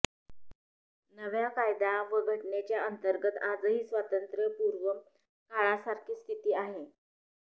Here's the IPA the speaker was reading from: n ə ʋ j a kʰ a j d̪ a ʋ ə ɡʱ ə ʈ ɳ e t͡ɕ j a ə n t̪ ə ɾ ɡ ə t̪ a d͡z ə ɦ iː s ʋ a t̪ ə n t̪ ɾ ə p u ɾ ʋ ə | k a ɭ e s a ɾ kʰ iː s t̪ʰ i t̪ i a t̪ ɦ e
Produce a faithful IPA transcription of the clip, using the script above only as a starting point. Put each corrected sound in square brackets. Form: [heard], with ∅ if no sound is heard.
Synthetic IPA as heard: n ə ʋ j a [k] a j d̪ a ʋ ə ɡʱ ə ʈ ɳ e t͡ɕ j a ə n t̪ ə ɾ ɡ ə t̪ a d͡z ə ɦ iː s ʋ a t̪ ə n t̪ ɾ ə p u ɾ ʋ ə | k a ɭ [a] s a ɾ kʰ iː s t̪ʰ i t̪ [iː] a [∅] ɦ e